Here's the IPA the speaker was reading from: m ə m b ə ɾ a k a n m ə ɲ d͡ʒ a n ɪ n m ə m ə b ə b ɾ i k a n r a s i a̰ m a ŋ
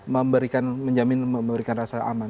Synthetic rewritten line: m ə m b ə ɾ i k a n m ə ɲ d͡ʒ a m ɪ n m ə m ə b ə ɾ i k a n r a s a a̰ m a n